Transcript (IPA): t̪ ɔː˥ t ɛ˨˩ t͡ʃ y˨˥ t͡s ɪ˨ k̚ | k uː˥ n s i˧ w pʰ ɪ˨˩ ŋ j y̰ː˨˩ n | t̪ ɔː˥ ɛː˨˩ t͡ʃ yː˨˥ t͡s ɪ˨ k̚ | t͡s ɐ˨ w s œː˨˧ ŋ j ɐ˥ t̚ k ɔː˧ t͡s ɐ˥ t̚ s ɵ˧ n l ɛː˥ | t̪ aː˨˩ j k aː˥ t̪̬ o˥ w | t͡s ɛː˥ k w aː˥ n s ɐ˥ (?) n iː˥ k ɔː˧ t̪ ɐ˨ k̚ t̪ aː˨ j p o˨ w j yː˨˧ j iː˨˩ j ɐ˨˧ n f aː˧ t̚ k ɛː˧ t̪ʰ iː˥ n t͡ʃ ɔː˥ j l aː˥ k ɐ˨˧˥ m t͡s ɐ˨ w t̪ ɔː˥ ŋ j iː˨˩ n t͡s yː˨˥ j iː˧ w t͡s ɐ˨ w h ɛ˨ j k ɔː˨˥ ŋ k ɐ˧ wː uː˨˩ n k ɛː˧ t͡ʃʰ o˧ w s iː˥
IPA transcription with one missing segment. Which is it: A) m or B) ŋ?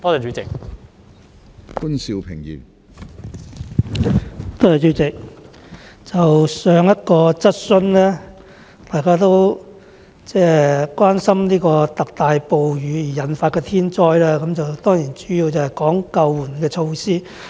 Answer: A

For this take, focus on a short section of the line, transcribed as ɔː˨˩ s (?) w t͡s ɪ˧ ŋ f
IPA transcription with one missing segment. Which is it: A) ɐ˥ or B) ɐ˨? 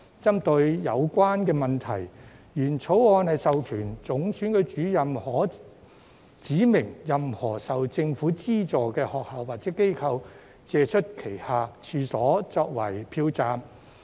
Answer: B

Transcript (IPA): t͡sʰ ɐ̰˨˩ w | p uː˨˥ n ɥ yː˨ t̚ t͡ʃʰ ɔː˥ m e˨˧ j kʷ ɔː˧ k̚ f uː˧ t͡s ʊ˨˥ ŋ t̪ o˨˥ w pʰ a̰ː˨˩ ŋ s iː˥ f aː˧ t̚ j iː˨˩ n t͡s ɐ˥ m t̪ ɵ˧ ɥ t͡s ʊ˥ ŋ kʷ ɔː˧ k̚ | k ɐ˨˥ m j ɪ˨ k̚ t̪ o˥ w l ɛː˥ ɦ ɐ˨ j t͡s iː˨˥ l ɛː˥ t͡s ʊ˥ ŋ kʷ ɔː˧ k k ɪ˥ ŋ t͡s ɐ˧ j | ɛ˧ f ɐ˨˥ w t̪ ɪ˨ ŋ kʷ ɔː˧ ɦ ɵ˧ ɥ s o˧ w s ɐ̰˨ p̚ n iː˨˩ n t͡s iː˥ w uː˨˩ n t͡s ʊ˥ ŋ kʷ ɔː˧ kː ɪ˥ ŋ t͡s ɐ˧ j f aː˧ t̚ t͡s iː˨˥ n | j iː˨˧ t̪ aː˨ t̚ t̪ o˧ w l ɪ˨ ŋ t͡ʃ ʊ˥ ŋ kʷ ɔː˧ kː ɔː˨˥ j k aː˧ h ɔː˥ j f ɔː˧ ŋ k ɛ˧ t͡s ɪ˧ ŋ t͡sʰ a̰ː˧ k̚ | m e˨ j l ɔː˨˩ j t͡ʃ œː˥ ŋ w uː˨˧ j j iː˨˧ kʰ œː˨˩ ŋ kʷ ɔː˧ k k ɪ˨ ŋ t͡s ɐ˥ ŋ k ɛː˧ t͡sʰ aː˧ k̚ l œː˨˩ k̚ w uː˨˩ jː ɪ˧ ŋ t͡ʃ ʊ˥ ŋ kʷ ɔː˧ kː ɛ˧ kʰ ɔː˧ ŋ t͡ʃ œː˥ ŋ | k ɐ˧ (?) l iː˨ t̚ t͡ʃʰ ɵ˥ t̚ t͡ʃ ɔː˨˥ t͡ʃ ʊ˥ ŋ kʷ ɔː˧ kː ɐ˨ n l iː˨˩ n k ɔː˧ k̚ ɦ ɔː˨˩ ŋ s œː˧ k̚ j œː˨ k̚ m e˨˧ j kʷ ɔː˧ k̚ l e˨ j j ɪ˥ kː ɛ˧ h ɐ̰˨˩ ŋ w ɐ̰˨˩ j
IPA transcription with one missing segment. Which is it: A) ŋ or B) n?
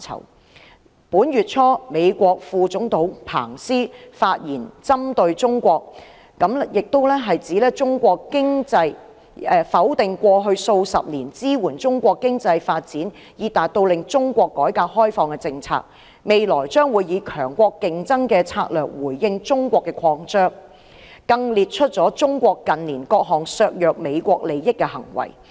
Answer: A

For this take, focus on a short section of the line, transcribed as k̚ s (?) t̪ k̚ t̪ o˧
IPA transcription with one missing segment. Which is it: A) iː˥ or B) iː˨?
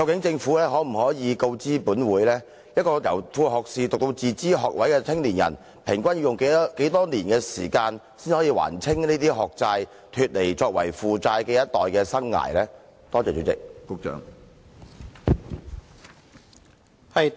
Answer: B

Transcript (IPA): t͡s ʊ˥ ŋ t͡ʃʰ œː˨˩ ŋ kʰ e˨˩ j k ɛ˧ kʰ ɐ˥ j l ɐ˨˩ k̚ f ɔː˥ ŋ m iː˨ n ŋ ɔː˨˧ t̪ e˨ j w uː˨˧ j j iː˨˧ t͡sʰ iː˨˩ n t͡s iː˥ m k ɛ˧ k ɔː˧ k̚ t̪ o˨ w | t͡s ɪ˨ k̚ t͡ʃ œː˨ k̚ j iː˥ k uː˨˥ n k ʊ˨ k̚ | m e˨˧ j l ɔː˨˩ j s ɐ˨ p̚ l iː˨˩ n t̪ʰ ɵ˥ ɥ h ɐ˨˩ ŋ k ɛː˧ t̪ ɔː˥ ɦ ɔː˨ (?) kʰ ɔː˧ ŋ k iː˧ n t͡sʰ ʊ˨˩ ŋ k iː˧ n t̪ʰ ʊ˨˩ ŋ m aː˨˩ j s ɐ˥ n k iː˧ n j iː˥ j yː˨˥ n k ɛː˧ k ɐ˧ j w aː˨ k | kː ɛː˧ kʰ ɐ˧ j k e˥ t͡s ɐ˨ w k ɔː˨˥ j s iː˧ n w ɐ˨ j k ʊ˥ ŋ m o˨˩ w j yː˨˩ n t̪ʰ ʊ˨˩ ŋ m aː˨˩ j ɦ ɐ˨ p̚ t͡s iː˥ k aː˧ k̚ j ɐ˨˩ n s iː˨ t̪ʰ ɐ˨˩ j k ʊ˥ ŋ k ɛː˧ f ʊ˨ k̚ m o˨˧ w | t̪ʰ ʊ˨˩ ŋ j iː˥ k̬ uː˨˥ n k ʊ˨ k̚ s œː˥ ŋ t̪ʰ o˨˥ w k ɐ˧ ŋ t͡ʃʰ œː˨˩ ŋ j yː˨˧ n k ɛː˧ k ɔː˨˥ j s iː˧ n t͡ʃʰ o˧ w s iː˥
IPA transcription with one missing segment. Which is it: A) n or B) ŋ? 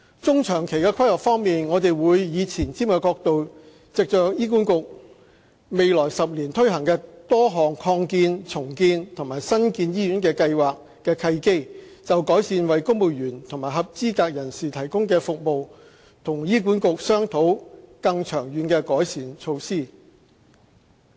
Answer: B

